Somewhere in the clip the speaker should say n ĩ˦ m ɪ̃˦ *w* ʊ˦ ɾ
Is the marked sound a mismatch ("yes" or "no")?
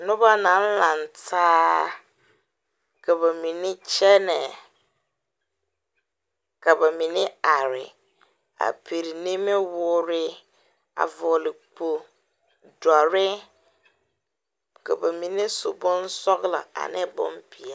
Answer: no